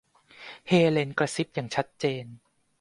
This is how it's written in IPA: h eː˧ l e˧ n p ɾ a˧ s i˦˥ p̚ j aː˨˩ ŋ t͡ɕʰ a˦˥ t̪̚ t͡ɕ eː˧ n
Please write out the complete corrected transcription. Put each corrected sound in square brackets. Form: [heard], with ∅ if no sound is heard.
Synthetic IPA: h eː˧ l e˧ n [k] ɾ a˧ s i˦˥ p̚ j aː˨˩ ŋ t͡ɕʰ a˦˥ t̪̚ t͡ɕ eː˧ n